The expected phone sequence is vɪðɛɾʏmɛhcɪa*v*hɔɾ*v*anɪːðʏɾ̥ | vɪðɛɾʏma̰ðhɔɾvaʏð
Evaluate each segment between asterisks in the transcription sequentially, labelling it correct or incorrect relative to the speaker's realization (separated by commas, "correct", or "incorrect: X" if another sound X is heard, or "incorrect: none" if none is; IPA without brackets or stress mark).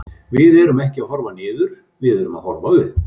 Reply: incorrect: ð, correct